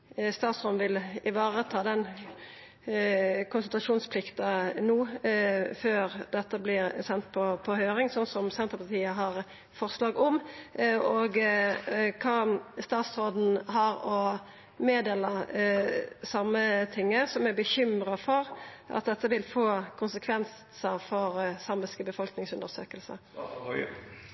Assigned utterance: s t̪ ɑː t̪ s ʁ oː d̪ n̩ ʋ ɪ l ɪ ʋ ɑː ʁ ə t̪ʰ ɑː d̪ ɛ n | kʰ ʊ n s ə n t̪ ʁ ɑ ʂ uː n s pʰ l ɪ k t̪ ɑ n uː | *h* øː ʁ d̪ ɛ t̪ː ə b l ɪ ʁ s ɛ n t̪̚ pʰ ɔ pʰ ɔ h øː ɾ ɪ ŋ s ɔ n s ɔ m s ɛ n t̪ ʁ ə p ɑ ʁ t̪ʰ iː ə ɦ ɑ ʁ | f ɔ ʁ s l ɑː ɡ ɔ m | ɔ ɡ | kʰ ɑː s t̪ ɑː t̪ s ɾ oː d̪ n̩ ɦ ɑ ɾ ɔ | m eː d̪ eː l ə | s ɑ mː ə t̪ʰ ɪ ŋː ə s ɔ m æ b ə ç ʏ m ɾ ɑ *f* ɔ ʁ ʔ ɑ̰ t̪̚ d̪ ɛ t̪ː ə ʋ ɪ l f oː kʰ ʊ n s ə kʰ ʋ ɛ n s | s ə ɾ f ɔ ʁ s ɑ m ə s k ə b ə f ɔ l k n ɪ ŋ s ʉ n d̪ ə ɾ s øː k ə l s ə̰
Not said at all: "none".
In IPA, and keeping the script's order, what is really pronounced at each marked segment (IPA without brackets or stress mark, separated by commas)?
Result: f, f